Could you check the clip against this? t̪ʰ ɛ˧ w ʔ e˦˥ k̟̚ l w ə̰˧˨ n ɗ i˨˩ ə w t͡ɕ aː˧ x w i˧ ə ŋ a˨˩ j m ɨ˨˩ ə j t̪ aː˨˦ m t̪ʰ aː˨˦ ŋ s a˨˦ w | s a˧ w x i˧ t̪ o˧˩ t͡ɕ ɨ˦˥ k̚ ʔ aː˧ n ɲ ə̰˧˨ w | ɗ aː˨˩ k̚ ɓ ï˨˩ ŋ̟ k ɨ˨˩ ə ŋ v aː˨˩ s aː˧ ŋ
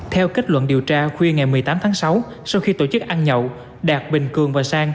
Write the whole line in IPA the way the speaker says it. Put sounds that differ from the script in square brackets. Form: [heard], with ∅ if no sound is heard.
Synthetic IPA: t̪ʰ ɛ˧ w [k] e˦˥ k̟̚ l w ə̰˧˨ n ɗ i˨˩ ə w t͡ɕ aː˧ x w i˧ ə ŋ a˨˩ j m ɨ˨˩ ə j t̪ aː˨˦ m t̪ʰ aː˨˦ ŋ s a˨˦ w | s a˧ w x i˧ t̪ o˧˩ t͡ɕ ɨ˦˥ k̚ ʔ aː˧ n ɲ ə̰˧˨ w | ɗ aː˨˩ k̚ ɓ ï˨˩ ŋ̟ k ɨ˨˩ ə ŋ v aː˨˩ s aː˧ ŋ